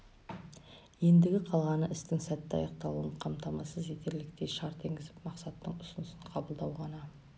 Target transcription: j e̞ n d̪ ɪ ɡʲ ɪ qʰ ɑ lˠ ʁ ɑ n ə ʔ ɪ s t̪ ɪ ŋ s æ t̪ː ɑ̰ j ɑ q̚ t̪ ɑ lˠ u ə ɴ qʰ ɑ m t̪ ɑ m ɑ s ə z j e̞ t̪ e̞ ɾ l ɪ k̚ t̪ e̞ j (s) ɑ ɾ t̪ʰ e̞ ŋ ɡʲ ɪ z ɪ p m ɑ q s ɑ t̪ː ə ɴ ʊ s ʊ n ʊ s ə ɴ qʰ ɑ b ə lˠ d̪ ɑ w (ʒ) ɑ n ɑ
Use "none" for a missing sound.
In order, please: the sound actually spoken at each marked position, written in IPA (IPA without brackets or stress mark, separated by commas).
ʃ, ʁ